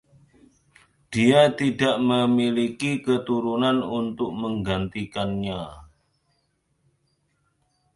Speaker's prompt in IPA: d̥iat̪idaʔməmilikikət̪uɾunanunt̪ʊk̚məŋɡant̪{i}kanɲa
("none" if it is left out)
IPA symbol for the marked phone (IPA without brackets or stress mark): i